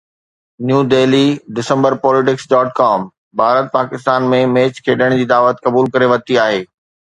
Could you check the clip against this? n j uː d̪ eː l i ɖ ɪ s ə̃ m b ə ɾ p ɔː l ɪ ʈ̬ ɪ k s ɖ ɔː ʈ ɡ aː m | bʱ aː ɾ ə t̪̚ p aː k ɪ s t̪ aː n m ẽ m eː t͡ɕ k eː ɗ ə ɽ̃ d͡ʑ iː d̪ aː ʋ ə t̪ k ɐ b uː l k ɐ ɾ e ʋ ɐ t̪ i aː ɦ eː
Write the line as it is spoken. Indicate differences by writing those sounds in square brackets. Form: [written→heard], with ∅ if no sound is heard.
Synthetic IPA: n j uː d̪ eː l i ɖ ɪ s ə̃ m b ə ɾ p ɔː l ɪ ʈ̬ ɪ k s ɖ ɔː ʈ [ɡ→k] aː m | bʱ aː ɾ ə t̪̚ p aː k ɪ s t̪ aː n m ẽ m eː t͡ɕ [k→kʰ] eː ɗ ə ɽ̃ d͡ʑ iː d̪ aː ʋ ə t̪ k ɐ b uː l k ɐ ɾ e ʋ ɐ t̪ i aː ɦ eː